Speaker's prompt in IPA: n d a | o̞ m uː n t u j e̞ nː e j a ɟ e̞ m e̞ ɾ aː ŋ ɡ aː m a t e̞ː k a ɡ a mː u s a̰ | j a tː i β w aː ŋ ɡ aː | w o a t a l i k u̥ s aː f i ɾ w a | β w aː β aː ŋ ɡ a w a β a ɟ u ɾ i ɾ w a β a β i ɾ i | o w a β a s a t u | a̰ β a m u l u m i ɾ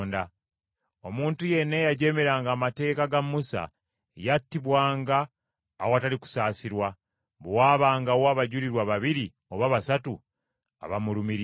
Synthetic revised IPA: n d a | o̞ m uː n t u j e̞ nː e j a ɟ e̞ m e̞ ɾ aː ŋ ɡ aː m a t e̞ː k a ɡ a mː u s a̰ | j a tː i β w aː ŋ ɡ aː | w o a t a l i k u̥ s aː s i ɾ w a | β w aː β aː ŋ ɡ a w a β a ɟ u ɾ i ɾ w a β a β i ɾ i | o β a β a s a t u | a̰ β a m u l u m i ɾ